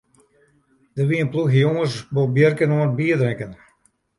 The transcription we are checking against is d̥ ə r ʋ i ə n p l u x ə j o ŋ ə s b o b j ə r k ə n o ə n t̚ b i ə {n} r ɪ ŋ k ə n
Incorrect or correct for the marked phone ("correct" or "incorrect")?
incorrect